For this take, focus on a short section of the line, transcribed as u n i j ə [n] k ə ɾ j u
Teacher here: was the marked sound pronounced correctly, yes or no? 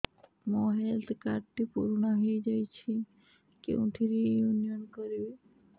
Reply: yes